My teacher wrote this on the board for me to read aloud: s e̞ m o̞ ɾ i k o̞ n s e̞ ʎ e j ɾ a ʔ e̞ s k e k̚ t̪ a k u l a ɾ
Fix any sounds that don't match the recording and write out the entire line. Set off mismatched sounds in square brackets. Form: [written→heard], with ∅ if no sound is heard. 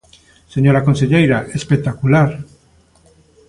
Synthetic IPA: s e̞ [m→ɲ] o̞ ɾ [i→a] k o̞ n s e̞ ʎ e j ɾ a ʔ e̞ s [k→p] e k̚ t̪ a k u l a ɾ

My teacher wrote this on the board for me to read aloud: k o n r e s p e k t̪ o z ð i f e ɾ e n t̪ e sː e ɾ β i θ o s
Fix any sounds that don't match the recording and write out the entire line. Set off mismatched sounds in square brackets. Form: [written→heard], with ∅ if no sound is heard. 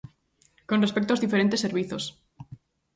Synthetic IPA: k o n r e s p e k t̪ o z ð i f e ɾ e n t̪ e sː e ɾ β i θ o s

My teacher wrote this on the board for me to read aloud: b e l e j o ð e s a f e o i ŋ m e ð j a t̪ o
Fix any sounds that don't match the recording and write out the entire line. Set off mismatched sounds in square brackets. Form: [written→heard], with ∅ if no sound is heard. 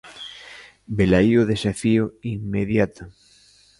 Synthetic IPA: b e l [e→a] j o ð e s a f [e→i] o i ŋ m e ð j a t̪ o

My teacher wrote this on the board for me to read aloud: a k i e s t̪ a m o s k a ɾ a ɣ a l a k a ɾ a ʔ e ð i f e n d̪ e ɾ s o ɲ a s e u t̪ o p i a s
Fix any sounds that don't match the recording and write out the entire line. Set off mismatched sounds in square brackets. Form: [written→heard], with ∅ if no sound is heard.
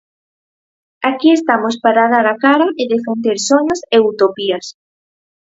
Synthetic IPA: a k i e s t̪ a m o s [k→p] a ɾ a [ɣ→ð] a [l→ɾ] a k a ɾ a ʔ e ð [i→e] f e n d̪ e ɾ s o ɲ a s e u t̪ o p i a s

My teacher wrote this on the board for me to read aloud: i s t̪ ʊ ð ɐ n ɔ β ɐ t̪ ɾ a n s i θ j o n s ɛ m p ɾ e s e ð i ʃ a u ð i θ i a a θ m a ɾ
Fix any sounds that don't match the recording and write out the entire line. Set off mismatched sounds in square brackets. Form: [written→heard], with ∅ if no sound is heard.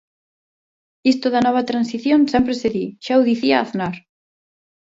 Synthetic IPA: i s t̪ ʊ ð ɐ n ɔ β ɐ t̪ ɾ a n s i θ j o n s ɛ m p ɾ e s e ð i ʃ a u ð i θ i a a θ [m→n] a ɾ

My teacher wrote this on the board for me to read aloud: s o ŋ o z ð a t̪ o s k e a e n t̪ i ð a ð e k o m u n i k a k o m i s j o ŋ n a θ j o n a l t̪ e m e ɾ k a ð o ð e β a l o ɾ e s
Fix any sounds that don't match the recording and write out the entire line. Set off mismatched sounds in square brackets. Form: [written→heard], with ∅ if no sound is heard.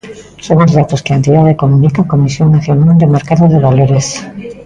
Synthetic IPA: s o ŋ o z ð a t̪ o s k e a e n t̪ i ð a ð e k o m u n i k a k o m i s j o ŋ n a θ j o n a l [t̪→d̪] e m e ɾ k a ð o ð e β a l o ɾ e s

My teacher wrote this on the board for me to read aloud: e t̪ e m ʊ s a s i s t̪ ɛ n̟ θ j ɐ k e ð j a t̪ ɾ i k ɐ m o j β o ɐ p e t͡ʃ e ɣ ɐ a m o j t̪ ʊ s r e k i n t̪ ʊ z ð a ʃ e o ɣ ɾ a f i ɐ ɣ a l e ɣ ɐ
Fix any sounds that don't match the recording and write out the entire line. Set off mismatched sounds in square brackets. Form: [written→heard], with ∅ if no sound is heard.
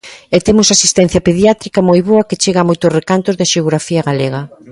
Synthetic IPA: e t̪ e m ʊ s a s i s t̪ ɛ n̟ θ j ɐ [k→p] e ð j a t̪ ɾ i k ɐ m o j β o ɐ [p→k] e t͡ʃ e ɣ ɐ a m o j t̪ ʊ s r e k [i→a] n t̪ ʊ z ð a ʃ e o ɣ ɾ a f i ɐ ɣ a l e ɣ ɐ

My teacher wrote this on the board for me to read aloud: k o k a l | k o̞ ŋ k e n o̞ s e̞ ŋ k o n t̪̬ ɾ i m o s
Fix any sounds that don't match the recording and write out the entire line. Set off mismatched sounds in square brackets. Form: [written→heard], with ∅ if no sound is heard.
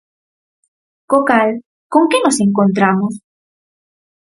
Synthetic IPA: k o k a l | k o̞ ŋ k e n o̞ s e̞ ŋ k o n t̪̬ ɾ [i→a] m o s

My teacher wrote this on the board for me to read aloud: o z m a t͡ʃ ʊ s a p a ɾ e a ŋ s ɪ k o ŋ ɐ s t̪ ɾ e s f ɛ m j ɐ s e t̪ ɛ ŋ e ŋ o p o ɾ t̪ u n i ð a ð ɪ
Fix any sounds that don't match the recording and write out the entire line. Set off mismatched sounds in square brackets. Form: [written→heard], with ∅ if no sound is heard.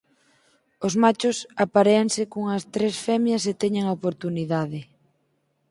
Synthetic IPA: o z m a t͡ʃ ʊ s a p a ɾ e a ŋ s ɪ k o ŋ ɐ s t̪ ɾ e s f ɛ m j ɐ s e t̪ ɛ [ŋ→ɲ] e ŋ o p o ɾ t̪ u n i ð a ð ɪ

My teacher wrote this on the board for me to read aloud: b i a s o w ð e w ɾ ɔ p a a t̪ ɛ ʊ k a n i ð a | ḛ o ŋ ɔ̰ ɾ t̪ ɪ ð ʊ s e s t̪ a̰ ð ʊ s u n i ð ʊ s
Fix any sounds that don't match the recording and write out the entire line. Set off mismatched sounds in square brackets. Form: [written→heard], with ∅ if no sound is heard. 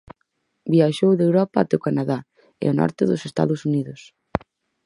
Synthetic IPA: b i a [s→ʃ] o w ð e w ɾ ɔ p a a t̪ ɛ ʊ k a n [i→a] ð a | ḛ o [ŋ→n] ɔ̰ ɾ t̪ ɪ ð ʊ s e s t̪ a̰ ð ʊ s u n i ð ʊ s

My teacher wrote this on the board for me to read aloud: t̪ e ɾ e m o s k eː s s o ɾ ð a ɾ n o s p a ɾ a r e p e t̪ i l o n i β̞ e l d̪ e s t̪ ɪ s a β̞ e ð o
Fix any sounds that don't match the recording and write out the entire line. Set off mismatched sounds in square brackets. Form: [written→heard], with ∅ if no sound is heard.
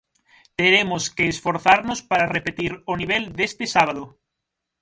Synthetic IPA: t̪ e ɾ e m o s k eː s [s→f] o ɾ [ð→θ] a ɾ n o s p a ɾ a r e p e t̪ i [l→ɾ] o n i β̞ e l d̪ e s t̪ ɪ s a β̞ [e→a] ð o

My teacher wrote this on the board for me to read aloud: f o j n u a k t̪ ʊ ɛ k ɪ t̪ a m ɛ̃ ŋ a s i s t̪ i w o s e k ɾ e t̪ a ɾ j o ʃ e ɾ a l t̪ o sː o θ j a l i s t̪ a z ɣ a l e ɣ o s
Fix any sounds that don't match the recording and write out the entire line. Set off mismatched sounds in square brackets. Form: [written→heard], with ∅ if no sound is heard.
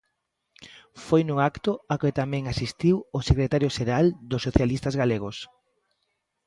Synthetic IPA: f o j n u a k t̪ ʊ [ɛ→a] k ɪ t̪ a m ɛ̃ ŋ a s i s t̪ i w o s e k ɾ e t̪ a ɾ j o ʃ e ɾ a l [t̪→d̪] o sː o θ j a l i s t̪ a z ɣ a l e ɣ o s

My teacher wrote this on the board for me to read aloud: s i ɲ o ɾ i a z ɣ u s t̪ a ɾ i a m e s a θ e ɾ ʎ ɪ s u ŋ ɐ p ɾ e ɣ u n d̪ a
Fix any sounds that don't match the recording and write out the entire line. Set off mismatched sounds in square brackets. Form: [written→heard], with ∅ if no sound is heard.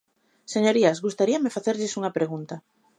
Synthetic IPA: s [i→e] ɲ o ɾ i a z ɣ u s t̪ a ɾ i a m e [s→f] a θ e ɾ ʎ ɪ s u ŋ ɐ p ɾ e ɣ u n [d̪→t̪] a

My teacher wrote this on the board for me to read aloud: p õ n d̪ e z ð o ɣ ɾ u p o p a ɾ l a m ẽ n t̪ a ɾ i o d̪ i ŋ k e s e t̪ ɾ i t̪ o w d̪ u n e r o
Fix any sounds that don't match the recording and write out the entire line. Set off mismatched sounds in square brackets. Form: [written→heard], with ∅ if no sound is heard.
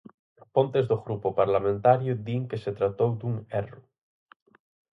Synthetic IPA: p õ n [d̪→t̪] e z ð o ɣ ɾ u p o p a ɾ l a m ẽ n t̪ a ɾ [i→j] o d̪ i ŋ k e s e t̪ ɾ [i→a] t̪ o w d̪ u [n→ŋ] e r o

